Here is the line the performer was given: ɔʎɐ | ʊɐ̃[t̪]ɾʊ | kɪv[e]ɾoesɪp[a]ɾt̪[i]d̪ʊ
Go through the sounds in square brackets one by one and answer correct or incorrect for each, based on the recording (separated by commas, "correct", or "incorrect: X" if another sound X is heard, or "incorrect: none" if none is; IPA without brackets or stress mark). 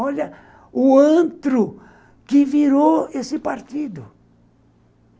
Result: correct, incorrect: i, correct, correct